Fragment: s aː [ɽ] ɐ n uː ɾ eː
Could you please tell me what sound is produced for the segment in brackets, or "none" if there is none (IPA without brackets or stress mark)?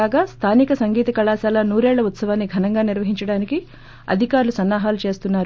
l